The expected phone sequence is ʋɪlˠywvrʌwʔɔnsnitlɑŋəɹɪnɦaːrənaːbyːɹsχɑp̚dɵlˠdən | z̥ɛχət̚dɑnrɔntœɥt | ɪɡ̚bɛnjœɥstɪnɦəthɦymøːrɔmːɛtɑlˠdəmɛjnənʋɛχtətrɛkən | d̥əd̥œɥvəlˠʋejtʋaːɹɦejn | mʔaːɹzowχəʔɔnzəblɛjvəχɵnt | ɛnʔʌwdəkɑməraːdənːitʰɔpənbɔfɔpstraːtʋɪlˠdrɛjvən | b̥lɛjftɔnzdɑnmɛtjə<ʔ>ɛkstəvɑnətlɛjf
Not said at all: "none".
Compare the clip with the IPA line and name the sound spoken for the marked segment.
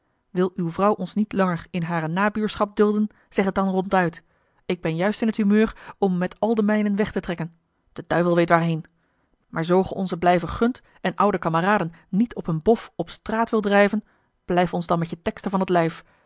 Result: t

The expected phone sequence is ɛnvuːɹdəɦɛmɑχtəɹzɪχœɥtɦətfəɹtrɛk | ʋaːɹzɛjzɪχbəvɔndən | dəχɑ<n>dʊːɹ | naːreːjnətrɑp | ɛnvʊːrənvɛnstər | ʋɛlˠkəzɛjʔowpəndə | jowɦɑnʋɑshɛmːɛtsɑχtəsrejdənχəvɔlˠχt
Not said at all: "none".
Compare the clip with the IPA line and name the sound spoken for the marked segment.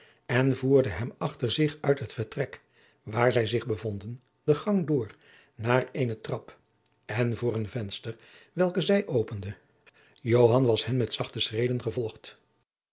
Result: ŋ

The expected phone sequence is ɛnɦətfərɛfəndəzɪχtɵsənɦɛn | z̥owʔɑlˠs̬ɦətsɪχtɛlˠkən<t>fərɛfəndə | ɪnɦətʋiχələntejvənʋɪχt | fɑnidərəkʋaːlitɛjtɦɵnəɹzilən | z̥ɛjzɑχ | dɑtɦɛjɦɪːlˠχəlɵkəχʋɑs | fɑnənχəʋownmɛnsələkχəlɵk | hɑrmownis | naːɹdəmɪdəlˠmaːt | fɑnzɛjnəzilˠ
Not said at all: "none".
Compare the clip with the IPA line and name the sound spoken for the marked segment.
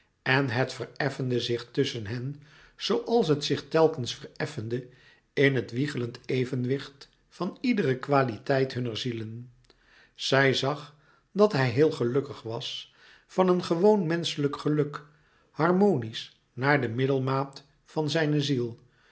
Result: s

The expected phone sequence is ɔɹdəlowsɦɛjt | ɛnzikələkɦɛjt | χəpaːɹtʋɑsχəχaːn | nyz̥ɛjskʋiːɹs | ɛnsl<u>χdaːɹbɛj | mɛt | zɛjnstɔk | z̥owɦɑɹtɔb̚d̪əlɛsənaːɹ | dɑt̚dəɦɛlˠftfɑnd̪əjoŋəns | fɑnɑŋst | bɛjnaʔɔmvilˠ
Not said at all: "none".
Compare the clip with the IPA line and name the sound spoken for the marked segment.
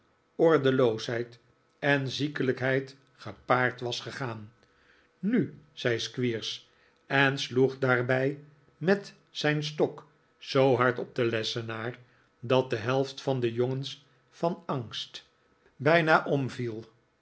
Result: u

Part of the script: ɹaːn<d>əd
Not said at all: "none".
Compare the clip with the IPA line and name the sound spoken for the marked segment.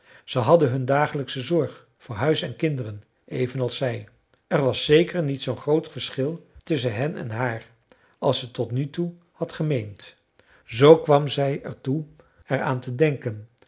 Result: t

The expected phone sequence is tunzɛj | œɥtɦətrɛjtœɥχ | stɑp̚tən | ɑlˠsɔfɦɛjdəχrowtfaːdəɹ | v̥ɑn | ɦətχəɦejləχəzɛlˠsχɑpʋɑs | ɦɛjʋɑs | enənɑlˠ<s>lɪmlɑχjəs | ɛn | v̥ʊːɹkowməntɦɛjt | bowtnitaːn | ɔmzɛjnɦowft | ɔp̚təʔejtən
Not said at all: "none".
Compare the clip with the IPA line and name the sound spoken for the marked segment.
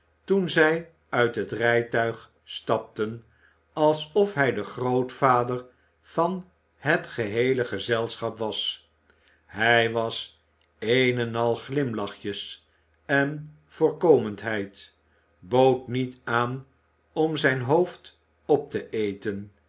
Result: χ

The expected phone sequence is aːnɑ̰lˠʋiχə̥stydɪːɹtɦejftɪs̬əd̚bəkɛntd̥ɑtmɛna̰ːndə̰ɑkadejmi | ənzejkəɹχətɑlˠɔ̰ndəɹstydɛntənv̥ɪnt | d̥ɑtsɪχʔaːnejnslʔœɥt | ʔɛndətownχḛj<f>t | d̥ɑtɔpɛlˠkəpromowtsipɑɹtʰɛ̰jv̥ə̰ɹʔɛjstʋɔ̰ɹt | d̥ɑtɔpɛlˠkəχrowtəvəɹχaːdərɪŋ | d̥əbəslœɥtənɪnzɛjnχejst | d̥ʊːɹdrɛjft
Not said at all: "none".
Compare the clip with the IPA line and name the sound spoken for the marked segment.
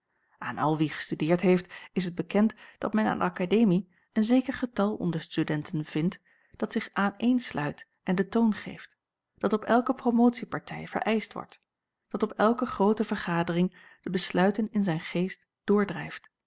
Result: f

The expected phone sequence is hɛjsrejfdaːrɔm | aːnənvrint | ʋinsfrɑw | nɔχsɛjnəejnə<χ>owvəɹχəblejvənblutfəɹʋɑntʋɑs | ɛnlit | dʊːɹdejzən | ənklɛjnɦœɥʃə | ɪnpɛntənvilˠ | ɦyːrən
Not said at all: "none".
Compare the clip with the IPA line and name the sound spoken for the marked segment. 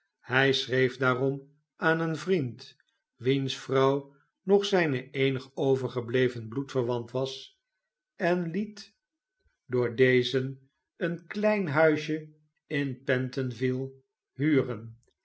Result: χ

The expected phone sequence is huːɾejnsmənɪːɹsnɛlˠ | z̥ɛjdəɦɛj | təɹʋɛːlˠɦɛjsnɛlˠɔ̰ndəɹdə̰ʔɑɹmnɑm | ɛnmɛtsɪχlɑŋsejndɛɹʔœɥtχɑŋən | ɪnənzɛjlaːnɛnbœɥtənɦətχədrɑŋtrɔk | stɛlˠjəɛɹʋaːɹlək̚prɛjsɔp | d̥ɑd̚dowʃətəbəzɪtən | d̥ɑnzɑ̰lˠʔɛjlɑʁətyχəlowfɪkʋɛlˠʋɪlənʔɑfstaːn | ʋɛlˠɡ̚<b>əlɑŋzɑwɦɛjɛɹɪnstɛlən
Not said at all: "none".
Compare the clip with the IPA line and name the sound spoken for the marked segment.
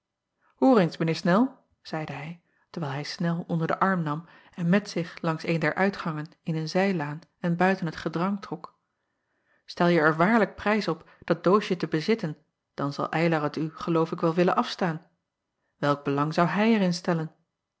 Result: b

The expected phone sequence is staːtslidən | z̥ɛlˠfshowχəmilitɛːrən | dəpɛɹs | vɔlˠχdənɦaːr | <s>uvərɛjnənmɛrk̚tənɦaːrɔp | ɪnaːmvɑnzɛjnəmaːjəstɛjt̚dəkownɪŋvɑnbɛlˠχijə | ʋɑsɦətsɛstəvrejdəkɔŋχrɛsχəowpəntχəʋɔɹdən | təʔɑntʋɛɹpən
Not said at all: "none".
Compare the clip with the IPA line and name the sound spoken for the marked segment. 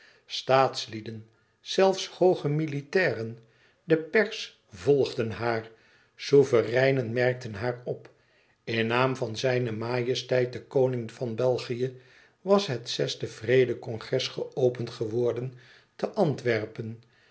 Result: s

